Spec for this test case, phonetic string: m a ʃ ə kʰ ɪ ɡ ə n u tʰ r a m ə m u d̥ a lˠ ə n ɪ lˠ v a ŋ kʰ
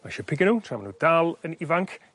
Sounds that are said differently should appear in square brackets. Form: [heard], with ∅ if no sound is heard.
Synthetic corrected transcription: m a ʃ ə [pʰ] ɪ ɡ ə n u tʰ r a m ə [n] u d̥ a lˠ ə n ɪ [∅] v a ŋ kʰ